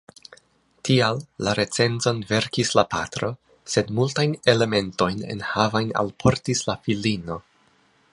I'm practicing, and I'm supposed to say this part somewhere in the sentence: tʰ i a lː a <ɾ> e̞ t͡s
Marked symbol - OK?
yes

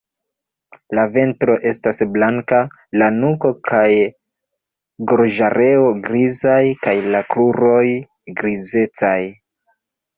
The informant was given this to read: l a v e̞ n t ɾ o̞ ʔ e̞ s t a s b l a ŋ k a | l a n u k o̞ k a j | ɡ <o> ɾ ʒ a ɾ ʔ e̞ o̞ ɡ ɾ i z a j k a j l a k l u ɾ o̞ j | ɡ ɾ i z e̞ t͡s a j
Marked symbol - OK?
yes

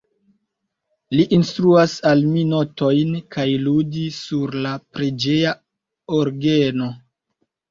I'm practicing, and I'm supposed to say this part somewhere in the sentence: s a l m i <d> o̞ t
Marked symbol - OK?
no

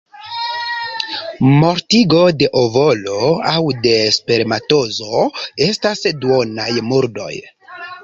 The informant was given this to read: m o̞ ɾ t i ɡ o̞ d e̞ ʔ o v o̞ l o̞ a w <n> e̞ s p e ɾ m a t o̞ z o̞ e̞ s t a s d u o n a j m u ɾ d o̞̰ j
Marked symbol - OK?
no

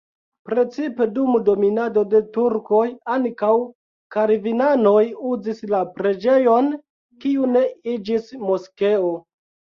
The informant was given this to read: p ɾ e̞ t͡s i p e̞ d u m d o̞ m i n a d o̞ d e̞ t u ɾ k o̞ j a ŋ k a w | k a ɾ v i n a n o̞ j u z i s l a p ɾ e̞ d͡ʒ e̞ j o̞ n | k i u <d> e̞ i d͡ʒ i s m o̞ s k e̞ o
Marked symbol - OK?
no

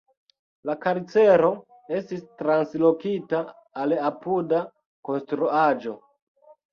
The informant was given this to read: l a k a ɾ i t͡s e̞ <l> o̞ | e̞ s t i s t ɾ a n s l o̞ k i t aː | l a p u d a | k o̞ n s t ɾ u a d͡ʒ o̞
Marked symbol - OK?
no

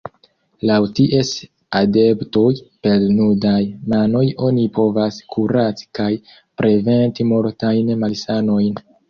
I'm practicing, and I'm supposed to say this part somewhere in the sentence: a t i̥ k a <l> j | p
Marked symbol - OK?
no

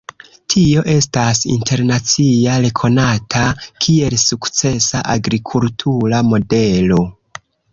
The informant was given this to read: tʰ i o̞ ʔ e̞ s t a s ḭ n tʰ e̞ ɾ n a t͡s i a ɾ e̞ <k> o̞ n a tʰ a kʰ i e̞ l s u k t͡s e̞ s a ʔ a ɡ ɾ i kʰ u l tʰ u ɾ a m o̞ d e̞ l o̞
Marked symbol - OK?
no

